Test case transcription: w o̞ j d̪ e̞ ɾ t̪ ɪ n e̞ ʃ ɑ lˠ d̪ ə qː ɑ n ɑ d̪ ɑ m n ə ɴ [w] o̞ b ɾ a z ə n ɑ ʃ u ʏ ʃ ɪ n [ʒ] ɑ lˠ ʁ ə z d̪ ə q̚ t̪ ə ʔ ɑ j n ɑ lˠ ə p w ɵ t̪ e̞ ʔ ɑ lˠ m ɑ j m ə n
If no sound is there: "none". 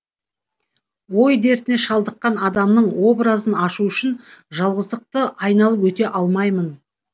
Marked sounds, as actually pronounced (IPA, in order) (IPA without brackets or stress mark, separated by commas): w, ʒ